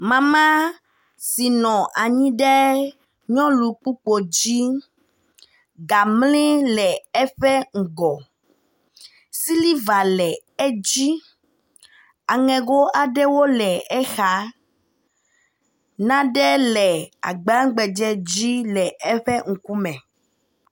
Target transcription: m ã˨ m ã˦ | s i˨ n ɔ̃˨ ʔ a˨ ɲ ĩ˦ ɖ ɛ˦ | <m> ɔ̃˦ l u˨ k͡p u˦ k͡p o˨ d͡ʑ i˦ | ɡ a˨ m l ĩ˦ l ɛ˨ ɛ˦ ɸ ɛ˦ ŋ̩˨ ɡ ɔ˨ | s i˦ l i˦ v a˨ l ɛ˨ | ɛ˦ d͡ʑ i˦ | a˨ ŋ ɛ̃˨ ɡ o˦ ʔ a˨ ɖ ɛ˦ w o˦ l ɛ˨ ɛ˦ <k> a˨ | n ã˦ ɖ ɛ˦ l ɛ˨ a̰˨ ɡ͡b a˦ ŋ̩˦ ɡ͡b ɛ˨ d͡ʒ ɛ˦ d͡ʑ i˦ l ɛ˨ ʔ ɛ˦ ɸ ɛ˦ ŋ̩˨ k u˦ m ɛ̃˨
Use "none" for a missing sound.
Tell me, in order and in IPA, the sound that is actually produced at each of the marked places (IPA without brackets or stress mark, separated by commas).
ɲ, x